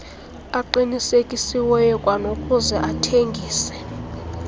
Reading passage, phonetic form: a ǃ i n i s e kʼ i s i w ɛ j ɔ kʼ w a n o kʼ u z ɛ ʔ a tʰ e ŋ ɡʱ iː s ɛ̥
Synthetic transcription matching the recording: a ǃ i n i s e kʼ i s i w ɛ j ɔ kʼ w a n o kʼ u z ɛ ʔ a tʰ e ŋ ɡʱ iː s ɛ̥